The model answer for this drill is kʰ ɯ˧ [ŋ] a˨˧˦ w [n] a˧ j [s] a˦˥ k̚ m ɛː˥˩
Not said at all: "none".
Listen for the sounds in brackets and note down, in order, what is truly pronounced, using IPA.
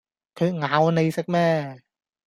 ŋ, n, s

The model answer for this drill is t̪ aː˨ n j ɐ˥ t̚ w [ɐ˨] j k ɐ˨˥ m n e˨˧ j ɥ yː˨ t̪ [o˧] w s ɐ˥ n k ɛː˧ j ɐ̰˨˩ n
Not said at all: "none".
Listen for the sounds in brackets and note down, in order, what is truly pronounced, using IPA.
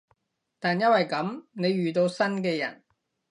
ɐ˨, o˧

